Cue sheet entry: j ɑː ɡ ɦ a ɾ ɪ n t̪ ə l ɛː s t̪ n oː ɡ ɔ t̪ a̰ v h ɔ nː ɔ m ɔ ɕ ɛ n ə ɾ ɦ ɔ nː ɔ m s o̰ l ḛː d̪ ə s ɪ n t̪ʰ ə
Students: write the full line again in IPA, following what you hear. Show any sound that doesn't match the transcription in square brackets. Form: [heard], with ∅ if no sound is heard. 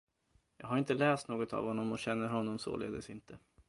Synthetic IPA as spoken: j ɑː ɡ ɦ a ɾ ɪ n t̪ ə l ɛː s t̪ n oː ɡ ɔ t̪ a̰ v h ɔ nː ɔ m ɔ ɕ ɛ [nː] ə ɾ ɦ ɔ nː ɔ m s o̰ l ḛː d̪ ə s ɪ n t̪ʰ ə